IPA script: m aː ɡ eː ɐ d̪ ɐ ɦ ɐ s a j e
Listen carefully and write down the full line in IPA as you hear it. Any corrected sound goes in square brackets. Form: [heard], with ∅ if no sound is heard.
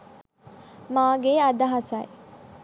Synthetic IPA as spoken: m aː ɡ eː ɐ d̪ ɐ ɦ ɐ s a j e

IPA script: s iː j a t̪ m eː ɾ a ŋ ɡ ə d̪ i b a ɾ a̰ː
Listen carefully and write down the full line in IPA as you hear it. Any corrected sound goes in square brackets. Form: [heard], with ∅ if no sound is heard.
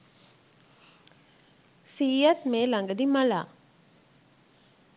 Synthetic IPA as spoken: s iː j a t̪ m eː [l] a ŋ ɡ ə d̪ i [m] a [l] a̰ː

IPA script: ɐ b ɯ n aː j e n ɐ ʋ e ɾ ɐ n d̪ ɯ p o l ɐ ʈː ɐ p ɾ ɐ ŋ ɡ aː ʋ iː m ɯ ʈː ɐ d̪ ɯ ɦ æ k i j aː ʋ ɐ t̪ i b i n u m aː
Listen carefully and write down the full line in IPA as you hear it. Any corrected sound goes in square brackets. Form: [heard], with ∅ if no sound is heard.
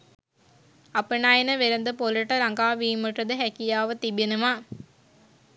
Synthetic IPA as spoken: ɐ [p] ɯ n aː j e n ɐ ʋ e ɾ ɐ n d̪ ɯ p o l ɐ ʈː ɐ [∅] ɾ ɐ ŋ ɡ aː ʋ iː m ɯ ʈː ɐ d̪ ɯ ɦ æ k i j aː ʋ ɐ t̪ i b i n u m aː

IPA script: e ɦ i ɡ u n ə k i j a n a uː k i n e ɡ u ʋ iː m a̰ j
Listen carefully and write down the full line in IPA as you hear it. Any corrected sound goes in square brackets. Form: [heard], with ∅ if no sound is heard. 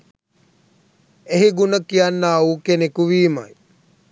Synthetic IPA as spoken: e ɦ i ɡ u n ə k i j a [nː] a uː k [e] n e [k] u ʋ iː m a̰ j

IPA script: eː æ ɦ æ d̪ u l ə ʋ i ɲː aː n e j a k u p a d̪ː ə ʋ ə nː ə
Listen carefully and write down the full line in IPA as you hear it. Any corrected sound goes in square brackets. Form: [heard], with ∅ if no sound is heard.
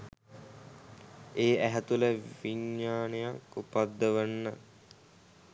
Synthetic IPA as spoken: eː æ ɦ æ [t̪] u l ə ʋ i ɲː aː n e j a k u p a d̪ː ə ʋ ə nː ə

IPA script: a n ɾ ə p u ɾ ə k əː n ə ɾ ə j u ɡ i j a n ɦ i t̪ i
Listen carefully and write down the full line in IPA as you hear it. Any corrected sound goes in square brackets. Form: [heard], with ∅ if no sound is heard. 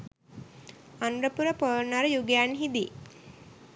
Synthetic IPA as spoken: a n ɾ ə p u ɾ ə [p] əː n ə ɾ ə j u ɡ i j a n ɦ i [d̪] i

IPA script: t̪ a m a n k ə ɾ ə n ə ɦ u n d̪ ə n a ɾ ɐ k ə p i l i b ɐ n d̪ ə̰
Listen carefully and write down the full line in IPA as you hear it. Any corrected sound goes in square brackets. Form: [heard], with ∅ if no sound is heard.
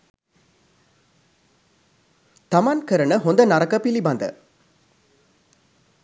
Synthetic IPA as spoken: t̪ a m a n k ə ɾ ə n ə ɦ [o] n d̪ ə n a ɾ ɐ k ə p i l i b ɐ n d̪ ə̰

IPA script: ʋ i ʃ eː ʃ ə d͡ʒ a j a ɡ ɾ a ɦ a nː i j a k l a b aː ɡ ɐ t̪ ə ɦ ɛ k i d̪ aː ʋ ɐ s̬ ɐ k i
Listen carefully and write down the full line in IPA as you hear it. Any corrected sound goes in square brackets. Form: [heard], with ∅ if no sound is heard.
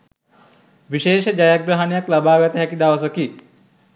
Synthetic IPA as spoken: ʋ i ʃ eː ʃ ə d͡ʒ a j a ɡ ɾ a ɦ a [n] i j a k l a b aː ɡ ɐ t̪ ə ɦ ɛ k i d̪ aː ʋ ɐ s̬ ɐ k i

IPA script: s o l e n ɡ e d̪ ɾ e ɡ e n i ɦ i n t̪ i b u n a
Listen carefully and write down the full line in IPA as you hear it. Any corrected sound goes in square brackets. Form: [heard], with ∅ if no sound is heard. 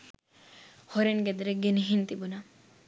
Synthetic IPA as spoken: [h] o [ɾ] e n ɡ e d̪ ɾ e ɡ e n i ɦ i n t̪ i b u n a

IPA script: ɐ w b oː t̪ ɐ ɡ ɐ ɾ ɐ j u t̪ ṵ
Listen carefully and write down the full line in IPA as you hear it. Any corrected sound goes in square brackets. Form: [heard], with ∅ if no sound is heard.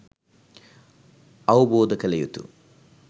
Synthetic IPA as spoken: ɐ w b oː [d̪] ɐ [k] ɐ [l] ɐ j u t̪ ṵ

